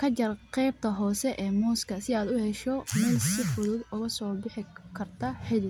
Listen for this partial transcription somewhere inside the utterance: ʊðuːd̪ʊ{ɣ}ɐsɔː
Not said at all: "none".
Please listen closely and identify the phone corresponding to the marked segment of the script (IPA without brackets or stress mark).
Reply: ɣ